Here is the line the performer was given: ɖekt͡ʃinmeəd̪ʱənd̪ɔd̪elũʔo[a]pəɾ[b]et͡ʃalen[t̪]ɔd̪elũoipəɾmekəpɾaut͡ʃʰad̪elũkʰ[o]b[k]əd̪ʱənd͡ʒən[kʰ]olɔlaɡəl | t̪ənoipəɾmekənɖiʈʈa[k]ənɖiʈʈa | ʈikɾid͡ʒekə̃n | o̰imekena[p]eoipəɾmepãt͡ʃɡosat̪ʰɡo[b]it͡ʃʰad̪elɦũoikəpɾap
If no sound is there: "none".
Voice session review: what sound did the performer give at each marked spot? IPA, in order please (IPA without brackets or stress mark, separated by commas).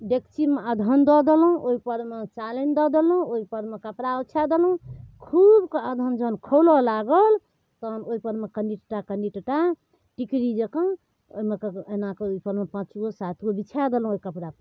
i, m, d̪, u, k, kʰ, k, k, b